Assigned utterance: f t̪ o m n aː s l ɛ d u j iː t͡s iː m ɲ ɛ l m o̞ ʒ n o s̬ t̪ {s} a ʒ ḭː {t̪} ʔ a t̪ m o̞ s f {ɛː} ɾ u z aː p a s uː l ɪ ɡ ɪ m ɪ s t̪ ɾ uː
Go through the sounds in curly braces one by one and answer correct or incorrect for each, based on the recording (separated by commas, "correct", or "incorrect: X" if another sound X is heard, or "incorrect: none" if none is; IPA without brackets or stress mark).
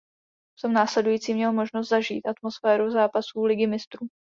incorrect: z, correct, correct